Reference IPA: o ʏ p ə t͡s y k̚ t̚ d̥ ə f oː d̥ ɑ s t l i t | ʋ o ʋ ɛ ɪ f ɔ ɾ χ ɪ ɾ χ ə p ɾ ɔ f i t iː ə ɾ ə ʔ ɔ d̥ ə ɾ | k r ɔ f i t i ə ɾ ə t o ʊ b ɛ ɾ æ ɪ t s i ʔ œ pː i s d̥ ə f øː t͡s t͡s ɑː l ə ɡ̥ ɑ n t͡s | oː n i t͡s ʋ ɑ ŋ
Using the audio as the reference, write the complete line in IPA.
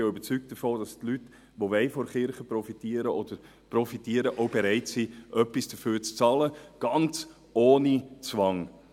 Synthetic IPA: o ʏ b ə t͡s y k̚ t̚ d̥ ə f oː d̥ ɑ s t l y t | ʋ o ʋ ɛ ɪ f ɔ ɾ χ ɪ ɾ χ ə p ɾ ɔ f i t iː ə ɾ ə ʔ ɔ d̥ ə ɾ | p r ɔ f i t i ə ɾ ə ʔ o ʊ b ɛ ɾ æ ɪ t s i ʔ œ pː i s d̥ ə f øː t͡s t͡s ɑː l ə ɡ̥ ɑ n t͡s | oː n i t͡s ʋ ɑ ŋ